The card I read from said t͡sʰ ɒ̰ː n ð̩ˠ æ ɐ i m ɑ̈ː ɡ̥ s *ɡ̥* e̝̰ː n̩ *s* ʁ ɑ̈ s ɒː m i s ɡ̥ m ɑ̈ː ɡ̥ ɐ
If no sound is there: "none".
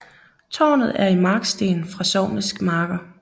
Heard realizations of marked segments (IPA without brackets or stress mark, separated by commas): d̥, f